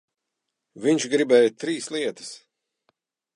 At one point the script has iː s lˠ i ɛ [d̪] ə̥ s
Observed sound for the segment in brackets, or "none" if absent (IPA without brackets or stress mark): t̪